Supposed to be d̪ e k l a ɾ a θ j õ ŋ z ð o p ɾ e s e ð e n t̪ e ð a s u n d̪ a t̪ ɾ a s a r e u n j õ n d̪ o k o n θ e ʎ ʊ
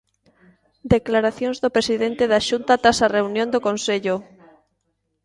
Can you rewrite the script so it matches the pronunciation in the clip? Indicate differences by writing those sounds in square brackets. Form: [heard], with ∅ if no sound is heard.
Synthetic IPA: d̪ e k l a ɾ a θ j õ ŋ z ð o p ɾ e s [i] ð e n t̪ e ð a [ʃ] u n [t̪] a t̪ ɾ a s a r e u n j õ n d̪ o k o n [s] e ʎ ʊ